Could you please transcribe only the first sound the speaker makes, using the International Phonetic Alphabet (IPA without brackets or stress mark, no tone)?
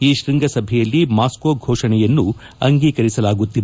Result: iː